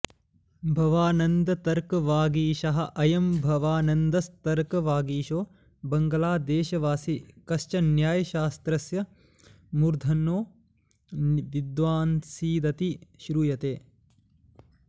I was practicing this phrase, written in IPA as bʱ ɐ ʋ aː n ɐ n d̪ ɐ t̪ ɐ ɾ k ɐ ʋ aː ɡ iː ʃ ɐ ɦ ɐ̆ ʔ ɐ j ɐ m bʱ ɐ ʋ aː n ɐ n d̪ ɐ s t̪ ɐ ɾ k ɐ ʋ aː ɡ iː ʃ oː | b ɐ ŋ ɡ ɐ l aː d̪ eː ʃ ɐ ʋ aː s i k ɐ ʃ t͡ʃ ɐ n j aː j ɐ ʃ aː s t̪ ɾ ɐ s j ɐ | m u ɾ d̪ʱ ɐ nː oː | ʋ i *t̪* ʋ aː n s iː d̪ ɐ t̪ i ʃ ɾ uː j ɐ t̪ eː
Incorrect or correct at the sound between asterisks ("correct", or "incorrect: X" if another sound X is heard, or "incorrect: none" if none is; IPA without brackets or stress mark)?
incorrect: d̪